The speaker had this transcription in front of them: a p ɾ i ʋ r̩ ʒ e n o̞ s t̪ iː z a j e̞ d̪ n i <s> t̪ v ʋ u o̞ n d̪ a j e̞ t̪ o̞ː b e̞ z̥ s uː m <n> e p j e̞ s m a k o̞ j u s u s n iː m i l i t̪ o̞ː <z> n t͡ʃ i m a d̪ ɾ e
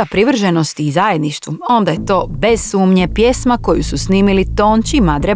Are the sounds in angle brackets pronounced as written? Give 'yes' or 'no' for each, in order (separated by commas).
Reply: no, no, no